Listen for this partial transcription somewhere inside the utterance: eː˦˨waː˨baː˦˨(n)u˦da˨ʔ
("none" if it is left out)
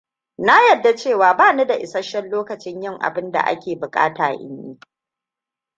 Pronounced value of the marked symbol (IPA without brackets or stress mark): n